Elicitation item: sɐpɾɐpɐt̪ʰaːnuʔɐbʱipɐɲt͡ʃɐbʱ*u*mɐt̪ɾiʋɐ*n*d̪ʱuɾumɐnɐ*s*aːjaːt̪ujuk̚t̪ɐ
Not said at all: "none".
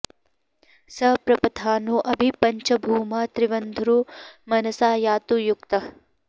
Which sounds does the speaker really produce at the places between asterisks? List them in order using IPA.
uː, n, s

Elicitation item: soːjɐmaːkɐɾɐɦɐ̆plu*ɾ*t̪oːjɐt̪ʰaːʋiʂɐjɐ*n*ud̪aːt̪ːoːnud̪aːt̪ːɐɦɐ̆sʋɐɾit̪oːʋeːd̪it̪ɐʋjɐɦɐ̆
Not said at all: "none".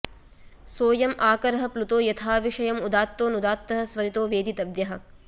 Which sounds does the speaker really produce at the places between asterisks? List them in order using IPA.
none, m

